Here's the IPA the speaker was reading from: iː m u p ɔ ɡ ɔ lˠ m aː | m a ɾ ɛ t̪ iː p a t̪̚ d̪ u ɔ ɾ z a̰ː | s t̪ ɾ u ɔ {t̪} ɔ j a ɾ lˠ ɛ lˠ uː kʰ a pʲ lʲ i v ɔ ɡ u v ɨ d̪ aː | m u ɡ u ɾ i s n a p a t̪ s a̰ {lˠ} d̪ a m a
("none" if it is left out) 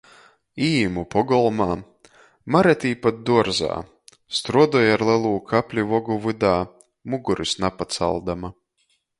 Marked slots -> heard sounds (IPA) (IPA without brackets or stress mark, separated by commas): d̪, lˠ